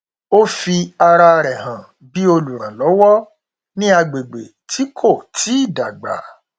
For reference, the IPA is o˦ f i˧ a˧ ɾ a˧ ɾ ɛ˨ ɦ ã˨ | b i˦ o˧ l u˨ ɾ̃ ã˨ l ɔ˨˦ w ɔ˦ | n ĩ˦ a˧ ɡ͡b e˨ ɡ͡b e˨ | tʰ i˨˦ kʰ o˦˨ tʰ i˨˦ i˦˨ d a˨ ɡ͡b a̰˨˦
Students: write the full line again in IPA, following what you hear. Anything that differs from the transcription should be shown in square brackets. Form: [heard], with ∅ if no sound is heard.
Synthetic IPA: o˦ f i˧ a˧ ɾ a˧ ɾ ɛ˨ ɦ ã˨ | b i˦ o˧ l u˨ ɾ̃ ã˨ l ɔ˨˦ w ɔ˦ | n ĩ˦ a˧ ɡ͡b e˨ ɡ͡b e˨ | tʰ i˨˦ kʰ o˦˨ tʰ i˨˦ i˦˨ d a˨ ɡ͡b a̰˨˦